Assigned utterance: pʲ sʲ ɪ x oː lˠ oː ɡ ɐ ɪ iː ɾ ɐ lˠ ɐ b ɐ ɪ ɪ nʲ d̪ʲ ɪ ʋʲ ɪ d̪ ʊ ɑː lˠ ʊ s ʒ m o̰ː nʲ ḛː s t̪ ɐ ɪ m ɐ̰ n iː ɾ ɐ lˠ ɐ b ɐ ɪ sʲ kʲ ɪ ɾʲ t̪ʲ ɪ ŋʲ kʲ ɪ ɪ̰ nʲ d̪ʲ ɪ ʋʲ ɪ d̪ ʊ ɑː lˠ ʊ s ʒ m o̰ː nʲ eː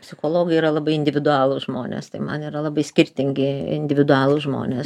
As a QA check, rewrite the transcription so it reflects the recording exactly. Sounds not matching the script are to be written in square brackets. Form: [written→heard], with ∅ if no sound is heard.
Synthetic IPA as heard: pʲ sʲ ɪ x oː lˠ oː ɡ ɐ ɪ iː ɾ ɐ lˠ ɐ b ɐ ɪ ɪ nʲ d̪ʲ ɪ ʋʲ ɪ d̪ ʊ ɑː lˠ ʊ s ʒ m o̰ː nʲ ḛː s t̪ ɐ ɪ m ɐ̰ n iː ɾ ɐ lˠ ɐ b ɐ ɪ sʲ kʲ ɪ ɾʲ t̪ʲ ɪ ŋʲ [kʲ→ɡʲ] ɪ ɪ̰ nʲ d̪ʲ ɪ ʋʲ ɪ d̪ ʊ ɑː lˠ ʊ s ʒ m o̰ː nʲ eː